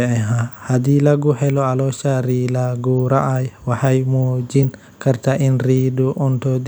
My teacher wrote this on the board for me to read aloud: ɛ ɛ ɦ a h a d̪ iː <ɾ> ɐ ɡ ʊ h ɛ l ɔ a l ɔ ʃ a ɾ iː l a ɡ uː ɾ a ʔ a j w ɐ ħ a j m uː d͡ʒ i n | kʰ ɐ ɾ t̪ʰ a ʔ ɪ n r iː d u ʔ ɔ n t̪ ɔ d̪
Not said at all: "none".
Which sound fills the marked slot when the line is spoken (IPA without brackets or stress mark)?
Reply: l